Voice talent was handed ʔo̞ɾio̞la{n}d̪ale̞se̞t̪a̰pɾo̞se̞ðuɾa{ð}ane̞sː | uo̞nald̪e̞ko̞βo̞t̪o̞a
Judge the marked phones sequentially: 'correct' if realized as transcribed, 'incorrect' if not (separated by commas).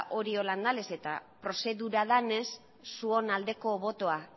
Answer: correct, correct